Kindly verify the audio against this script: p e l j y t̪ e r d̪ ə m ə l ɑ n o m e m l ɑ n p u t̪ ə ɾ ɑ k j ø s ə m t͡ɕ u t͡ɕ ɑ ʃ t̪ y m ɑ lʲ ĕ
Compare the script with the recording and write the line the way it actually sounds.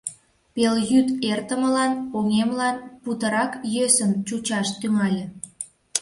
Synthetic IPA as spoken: p e l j y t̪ e r t̪ ə m ə l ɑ n o ŋ e m l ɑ n p u t̪ ə ɾ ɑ k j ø s ə m t͡ɕ u t͡ɕ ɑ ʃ t̪ y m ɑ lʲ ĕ

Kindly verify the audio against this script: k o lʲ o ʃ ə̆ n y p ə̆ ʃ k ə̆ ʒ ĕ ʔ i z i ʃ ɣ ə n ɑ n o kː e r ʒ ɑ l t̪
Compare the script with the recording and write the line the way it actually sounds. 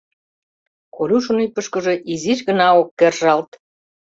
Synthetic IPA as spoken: k o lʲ u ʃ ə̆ n y p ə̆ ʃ k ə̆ ʒ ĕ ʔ i z i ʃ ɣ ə n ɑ o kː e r ʒ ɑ l t̪

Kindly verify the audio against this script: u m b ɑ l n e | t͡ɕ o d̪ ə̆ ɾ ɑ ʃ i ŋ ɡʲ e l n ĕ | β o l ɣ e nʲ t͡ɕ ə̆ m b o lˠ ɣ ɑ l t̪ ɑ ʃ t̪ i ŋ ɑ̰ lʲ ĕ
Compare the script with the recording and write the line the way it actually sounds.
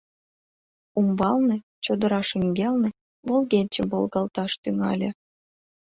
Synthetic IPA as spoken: u m b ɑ l n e | t͡ɕ o d̪ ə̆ ɾ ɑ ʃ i ŋ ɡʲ e l n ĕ | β o l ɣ e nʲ t͡ɕ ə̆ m b o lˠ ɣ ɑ l t̪ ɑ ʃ t̪ y ŋ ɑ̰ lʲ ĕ

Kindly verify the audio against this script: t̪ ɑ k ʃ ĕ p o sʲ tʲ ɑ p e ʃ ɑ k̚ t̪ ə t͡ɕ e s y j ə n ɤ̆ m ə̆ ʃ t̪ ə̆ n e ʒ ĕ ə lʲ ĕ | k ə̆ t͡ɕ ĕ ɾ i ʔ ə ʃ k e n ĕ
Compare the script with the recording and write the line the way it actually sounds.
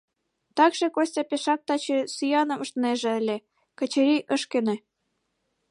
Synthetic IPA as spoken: t̪ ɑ k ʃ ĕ k o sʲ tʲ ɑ p e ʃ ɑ k̚ t̪ ɑ t͡ɕ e s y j ɑ n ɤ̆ m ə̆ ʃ t̪ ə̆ n e ʒ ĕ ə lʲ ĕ | k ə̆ t͡ɕ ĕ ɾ i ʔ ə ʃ k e n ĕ

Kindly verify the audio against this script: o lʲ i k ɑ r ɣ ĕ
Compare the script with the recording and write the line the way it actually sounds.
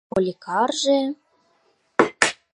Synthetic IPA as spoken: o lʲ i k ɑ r ʒ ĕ

